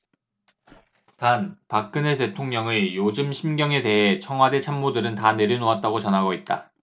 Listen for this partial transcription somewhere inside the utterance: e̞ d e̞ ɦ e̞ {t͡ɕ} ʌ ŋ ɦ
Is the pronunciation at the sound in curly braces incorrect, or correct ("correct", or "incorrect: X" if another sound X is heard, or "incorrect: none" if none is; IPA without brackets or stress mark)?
incorrect: t͡ɕʰ